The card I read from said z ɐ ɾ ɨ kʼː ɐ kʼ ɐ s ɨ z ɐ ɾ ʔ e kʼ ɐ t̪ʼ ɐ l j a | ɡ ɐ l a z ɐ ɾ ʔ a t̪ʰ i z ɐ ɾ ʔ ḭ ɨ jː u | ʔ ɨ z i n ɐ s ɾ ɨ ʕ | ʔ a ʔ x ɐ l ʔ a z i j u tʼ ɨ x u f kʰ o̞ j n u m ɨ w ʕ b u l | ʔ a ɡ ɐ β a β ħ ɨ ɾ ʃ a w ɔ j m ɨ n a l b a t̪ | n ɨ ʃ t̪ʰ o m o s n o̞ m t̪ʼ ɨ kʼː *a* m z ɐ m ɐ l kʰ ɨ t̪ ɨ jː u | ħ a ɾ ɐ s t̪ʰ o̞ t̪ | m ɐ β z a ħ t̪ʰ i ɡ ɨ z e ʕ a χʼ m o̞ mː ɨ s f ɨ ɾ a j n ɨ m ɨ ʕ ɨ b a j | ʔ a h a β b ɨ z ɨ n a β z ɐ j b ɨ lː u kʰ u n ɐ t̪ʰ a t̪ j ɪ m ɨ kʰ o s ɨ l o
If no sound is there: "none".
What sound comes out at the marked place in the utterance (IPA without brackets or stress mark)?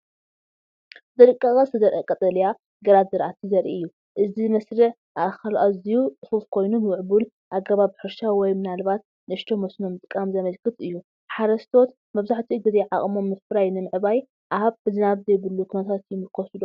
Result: a